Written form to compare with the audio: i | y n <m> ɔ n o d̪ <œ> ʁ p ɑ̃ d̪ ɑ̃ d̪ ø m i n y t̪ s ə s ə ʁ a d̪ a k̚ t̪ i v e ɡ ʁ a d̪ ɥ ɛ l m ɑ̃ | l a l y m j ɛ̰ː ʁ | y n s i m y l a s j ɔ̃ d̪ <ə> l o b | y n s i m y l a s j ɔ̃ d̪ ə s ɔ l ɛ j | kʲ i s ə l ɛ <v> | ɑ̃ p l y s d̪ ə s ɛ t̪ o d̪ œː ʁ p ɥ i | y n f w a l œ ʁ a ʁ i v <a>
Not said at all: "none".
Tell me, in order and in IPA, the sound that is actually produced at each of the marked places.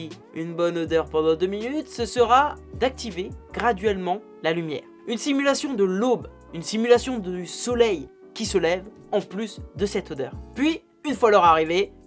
b, œ, ə, v, e

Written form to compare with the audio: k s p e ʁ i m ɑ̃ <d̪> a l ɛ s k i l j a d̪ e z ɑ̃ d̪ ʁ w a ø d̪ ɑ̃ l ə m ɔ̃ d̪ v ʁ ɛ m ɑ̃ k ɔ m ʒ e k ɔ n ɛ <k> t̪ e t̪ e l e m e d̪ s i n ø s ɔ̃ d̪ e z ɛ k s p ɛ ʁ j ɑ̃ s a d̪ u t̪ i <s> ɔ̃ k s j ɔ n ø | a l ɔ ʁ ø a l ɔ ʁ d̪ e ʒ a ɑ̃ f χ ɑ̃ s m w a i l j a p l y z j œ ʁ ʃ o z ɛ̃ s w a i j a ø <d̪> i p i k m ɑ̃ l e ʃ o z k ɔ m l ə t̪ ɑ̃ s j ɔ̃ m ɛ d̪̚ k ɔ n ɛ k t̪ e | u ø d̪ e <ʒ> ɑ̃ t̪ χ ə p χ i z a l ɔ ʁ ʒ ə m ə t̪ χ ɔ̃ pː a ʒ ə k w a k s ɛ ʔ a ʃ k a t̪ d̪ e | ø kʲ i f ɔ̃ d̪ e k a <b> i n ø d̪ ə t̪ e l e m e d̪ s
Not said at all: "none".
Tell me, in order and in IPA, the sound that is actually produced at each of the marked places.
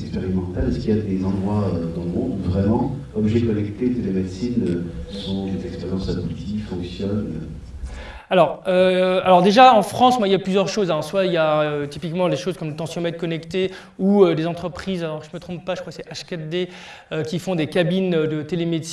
t̪, k, f, t̪, z, b

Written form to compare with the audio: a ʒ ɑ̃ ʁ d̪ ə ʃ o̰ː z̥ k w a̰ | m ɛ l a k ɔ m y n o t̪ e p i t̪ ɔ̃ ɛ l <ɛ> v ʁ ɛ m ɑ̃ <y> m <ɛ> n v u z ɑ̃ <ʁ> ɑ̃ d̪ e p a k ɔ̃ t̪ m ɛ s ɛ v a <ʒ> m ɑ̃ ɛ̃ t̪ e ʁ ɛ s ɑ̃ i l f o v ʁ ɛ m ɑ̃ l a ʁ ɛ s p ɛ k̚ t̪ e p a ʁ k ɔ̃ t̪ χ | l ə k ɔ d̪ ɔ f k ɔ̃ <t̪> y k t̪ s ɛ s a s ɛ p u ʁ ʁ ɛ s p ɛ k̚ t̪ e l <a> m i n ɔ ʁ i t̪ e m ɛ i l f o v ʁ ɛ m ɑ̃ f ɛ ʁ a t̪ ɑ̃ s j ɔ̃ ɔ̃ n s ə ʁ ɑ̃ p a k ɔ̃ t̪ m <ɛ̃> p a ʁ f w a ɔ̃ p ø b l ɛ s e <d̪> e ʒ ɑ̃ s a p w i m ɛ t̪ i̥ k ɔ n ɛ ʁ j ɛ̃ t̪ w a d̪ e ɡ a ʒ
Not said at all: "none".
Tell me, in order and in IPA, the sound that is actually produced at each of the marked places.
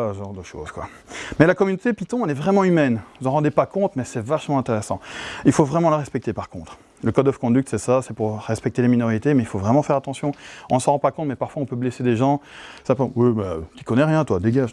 ɛ, y, ɛ, ʁ, ʃ, d̪, e, ɛ, d̪

